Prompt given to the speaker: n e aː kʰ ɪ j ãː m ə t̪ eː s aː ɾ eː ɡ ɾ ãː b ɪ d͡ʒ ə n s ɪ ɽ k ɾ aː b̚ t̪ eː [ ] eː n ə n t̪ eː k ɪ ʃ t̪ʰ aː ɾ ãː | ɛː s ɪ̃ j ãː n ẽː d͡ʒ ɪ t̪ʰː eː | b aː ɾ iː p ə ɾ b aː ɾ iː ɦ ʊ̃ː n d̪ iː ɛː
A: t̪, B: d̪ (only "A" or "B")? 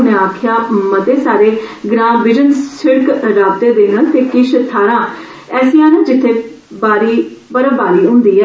B